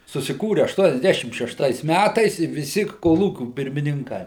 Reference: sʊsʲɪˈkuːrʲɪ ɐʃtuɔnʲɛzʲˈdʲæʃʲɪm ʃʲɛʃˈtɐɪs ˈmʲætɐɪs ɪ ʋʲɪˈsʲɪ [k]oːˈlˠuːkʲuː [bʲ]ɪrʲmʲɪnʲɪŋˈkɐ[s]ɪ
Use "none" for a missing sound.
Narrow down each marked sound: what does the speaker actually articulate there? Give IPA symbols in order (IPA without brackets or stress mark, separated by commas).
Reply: k, pʲ, none